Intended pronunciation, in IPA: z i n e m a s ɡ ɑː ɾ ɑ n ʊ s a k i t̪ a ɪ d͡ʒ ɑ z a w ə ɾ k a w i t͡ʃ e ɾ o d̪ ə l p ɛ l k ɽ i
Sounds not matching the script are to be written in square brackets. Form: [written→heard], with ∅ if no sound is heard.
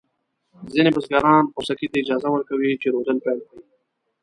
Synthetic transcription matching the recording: z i n e [m→b] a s ɡ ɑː ɾ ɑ n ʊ s a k i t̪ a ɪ d͡ʒ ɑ z a w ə ɾ k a w i t͡ʃ e ɾ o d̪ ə l p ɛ l k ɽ i